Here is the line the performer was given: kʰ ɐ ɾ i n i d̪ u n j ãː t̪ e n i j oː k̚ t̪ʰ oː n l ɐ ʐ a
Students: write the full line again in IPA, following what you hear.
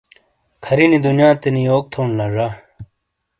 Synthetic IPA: kʰ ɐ ɾ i n i d̪ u n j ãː t̪ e n i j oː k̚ t̪ʰ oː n l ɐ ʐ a